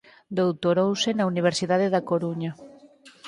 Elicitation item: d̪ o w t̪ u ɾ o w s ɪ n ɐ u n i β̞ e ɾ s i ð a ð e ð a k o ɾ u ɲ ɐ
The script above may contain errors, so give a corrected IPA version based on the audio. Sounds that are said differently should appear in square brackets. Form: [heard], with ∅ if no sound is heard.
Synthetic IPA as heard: d̪ o w t̪ [o] ɾ o w s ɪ n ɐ u n i β̞ e ɾ s i ð a ð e ð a k o ɾ u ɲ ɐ